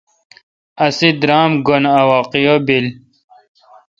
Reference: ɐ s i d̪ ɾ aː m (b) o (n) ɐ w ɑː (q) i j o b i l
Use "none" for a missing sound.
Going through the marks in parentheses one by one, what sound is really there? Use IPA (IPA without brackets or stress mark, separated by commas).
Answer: ɡ, n, q